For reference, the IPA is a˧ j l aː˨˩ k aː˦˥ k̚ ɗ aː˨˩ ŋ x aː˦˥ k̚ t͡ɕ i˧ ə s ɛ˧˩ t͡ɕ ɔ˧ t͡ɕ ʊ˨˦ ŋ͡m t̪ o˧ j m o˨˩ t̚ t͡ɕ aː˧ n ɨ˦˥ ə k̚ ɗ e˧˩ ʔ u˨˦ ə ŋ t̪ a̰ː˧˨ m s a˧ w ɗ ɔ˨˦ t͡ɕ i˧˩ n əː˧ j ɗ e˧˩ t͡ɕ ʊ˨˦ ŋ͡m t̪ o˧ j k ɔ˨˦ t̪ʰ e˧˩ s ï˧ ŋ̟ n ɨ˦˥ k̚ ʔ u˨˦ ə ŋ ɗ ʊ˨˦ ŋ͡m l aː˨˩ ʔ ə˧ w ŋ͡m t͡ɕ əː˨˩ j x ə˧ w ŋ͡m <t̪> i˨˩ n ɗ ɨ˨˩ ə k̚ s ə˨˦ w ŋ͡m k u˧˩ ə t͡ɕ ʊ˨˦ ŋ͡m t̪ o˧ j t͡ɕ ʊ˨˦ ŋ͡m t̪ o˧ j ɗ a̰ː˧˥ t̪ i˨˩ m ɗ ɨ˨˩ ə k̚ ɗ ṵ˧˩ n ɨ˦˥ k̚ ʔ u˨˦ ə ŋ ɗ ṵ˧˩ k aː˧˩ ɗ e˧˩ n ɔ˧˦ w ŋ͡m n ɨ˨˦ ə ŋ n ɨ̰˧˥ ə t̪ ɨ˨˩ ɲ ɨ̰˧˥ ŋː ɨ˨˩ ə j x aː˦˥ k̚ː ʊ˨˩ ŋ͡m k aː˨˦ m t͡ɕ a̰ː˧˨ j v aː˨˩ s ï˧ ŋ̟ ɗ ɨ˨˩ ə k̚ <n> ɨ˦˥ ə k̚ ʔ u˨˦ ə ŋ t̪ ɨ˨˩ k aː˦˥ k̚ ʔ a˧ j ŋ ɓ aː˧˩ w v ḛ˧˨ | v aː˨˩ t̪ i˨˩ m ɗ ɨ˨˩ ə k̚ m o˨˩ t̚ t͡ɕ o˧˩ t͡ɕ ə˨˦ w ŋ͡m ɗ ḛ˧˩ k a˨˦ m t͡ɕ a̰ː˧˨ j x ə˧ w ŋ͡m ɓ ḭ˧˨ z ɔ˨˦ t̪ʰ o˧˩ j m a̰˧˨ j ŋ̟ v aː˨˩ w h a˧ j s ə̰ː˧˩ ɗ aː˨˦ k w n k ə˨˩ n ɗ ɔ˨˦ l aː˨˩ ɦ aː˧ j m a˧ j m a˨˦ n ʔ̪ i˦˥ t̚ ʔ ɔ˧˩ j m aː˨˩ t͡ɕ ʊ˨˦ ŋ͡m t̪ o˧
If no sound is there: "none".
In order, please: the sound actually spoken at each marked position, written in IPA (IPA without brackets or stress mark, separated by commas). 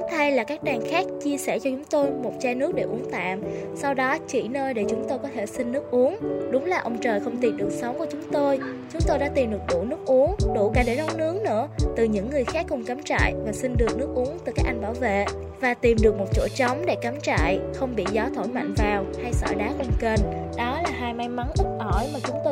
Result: t̪, n